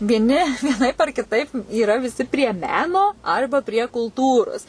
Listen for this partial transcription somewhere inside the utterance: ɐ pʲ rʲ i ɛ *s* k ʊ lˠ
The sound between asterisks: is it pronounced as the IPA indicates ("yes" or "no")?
no